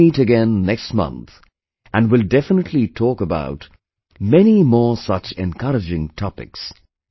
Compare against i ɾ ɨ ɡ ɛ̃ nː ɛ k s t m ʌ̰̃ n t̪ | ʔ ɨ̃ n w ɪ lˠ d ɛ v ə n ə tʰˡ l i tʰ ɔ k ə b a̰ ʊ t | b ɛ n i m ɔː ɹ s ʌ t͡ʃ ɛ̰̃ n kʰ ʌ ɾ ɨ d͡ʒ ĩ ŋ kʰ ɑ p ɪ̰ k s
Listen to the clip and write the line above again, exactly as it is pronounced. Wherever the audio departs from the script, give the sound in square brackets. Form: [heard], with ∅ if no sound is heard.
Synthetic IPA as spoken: i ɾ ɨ ɡ ɛ̃ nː ɛ k s t m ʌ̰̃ n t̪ | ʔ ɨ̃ n w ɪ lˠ d ɛ [f] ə n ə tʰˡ l i tʰ ɔ k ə b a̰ ʊ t | [m] ɛ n i m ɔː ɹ s ʌ t͡ʃ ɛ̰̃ n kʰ ʌ ɾ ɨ d͡ʒ [ɪ̃] ŋ [tʰ] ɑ p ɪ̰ k s